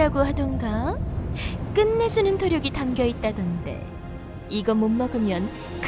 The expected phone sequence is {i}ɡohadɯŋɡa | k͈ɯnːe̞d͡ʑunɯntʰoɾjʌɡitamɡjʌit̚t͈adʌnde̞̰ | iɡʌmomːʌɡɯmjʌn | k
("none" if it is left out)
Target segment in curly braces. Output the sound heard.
a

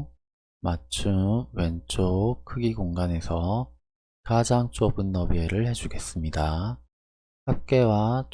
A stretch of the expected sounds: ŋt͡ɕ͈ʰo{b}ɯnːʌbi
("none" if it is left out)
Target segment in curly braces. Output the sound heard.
b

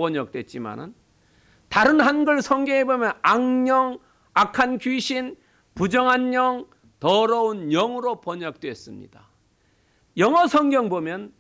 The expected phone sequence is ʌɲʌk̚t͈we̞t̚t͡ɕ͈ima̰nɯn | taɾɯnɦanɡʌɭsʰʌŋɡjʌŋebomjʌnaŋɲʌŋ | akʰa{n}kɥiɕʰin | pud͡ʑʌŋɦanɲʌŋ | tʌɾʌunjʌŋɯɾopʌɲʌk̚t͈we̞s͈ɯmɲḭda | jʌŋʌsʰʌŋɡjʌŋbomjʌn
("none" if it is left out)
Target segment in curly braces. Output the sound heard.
n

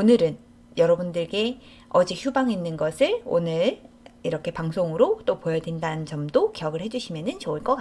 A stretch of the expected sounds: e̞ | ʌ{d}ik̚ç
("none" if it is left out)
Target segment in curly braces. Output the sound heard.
d͡ʑ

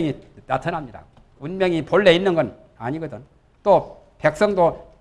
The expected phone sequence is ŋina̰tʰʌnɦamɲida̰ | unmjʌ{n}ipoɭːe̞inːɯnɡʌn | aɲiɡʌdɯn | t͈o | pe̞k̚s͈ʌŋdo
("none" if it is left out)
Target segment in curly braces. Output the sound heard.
ŋ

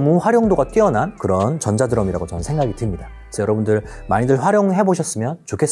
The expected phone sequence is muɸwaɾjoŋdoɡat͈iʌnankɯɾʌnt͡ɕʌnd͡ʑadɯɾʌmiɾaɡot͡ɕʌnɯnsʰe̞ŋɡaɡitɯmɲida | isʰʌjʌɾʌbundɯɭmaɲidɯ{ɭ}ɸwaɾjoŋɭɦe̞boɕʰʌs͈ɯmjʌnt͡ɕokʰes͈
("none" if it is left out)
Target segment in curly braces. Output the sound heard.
ɭ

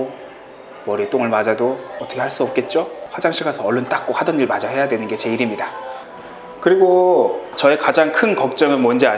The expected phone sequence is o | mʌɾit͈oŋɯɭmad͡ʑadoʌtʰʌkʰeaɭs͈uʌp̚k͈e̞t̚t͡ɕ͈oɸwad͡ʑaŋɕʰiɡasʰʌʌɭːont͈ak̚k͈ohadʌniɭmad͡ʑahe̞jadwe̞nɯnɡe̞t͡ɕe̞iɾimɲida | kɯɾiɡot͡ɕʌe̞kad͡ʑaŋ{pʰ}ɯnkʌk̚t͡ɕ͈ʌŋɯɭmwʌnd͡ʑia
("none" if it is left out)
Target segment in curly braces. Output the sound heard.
kʰ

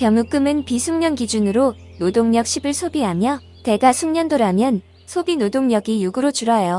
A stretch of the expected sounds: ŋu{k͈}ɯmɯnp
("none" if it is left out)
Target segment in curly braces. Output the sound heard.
k͈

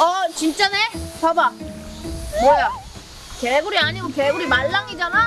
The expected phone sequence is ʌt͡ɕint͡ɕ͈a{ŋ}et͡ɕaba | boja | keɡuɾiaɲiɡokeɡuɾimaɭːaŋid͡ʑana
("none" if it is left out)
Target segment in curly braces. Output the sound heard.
n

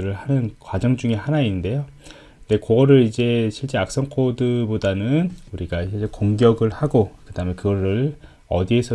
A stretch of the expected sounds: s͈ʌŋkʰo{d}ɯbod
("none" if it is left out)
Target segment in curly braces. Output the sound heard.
d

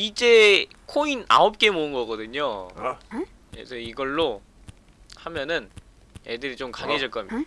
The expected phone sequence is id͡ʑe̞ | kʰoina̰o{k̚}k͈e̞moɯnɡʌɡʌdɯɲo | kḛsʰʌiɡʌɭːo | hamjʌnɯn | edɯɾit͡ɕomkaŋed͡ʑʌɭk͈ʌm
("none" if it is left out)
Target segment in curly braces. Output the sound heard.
p̚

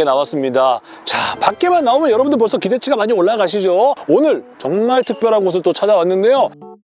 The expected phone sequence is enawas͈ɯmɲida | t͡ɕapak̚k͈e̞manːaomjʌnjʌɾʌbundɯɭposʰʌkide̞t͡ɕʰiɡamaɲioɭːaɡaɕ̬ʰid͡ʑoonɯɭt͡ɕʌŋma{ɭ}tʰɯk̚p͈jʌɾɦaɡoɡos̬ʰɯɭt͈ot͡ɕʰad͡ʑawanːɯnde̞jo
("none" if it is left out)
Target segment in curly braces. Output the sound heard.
ɭ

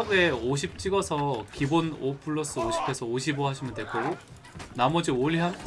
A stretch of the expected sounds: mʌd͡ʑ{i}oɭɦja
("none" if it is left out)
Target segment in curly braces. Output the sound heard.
i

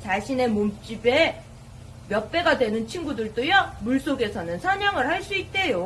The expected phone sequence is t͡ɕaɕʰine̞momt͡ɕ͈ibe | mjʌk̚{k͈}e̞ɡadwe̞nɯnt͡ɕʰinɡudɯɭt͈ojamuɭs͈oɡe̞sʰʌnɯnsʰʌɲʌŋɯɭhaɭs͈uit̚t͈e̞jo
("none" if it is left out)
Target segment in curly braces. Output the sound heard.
p͈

